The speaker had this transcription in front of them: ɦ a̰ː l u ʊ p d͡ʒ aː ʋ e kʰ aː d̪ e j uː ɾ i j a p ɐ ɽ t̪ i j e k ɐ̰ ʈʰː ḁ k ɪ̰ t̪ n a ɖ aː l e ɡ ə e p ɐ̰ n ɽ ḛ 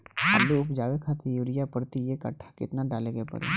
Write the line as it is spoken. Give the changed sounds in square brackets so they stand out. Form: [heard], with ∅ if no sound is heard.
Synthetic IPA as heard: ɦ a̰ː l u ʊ p d͡ʒ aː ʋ e kʰ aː [t̪] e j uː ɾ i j a p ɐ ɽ t̪ i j e k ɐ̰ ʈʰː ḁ k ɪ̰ t̪ n a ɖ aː l e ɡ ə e p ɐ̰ [∅] ɽ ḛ

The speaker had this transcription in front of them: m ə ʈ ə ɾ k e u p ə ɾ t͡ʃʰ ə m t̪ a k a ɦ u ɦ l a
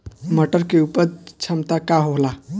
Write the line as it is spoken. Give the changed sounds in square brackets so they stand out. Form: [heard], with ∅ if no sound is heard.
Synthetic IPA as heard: m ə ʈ ə ɾ k e u p ə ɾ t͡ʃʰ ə m t̪ a k a ɦ [o] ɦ l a

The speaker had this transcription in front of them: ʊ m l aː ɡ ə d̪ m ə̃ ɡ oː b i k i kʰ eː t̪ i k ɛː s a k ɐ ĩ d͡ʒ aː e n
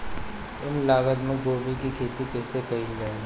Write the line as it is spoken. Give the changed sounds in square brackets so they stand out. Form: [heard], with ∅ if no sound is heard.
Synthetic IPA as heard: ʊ m l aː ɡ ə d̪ m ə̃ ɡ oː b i k i kʰ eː t̪ i k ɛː s [e] k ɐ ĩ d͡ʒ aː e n

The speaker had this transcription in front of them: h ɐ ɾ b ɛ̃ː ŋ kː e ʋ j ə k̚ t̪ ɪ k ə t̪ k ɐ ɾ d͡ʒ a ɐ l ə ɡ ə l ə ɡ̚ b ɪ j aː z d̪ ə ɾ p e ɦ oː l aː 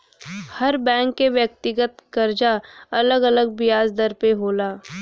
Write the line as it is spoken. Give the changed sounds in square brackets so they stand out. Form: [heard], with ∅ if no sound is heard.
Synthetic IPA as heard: h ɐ ɾ b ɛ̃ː ŋ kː e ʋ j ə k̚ t̪ ɪ [ɡ] ə t̪ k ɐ ɾ d͡ʒ a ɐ l ə ɡ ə l ə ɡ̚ b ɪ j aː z d̪ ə ɾ p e ɦ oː l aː

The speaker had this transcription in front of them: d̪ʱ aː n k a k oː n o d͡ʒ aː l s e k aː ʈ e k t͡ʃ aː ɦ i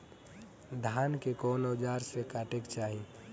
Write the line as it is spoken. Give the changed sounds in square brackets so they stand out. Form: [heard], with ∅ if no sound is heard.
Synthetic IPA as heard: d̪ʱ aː n k [e] k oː n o d͡ʒ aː [ɾ] s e k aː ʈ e k t͡ʃ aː ɦ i

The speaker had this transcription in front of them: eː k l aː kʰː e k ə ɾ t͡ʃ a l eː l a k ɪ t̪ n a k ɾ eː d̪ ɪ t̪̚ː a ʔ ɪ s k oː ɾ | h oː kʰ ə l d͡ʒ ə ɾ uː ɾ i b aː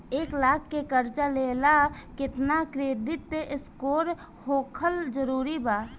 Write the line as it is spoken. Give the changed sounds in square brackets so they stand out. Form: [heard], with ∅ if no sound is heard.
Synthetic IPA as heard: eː k l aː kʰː e k ə ɾ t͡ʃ a l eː l a k ɪ t̪ n a k ɾ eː d̪ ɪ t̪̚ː [e] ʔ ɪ s k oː ɾ | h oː kʰ ə l d͡ʒ ə ɾ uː ɾ i b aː

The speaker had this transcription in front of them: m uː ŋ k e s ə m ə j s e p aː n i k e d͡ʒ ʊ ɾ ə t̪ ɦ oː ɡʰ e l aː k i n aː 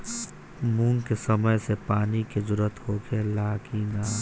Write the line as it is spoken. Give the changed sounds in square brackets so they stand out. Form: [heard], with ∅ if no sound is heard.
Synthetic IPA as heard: m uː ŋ k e s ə m ə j s e p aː n i k e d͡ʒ ʊ ɾ ə t̪ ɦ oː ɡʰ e l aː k i n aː

